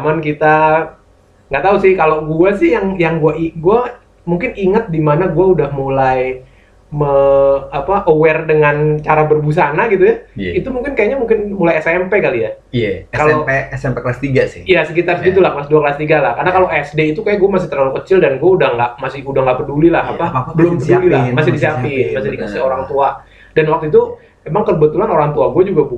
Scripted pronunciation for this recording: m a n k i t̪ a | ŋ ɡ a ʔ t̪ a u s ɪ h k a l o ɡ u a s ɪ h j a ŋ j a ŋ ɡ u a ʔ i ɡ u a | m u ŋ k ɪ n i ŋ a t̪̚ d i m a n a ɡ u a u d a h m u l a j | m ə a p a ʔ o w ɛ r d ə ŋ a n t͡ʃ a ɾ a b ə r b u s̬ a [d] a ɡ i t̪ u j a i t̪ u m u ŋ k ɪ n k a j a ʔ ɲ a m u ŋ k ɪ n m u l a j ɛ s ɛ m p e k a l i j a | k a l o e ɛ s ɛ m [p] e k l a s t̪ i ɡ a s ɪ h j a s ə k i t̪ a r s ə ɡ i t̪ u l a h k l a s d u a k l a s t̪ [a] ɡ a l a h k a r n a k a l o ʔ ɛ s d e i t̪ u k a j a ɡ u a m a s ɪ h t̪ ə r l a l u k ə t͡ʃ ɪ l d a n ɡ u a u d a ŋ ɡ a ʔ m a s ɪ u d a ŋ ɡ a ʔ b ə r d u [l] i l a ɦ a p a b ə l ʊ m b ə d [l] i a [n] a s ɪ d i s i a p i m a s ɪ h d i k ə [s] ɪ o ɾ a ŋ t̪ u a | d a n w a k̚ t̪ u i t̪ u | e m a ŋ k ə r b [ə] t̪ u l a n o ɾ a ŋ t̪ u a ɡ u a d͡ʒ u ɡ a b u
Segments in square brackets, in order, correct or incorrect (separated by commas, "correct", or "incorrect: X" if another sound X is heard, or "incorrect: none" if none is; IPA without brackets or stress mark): incorrect: n, correct, incorrect: i, correct, correct, incorrect: m, correct, correct